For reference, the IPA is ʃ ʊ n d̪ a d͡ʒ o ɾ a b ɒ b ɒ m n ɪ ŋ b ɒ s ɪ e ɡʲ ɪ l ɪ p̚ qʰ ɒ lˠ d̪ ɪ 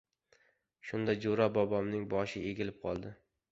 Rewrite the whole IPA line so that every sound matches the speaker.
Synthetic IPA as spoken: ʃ ʊ n d̪ a d͡ʒ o ɾ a b ɒ b ɒ m n ɪ ŋ b ɒ ʃ ɪ e ɡʲ ɪ l ɪ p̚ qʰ ɒ lˠ d̪ ɪ